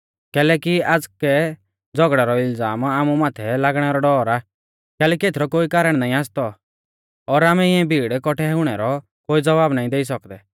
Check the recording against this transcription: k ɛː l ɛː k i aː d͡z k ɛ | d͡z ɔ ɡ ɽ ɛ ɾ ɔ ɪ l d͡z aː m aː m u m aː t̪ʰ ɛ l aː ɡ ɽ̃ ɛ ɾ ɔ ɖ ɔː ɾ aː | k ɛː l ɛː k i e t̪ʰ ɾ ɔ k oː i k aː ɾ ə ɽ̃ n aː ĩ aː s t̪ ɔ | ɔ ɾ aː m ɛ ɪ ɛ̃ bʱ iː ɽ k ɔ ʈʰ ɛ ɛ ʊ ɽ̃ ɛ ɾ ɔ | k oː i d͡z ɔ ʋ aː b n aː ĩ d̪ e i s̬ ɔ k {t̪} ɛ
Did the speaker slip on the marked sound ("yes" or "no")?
yes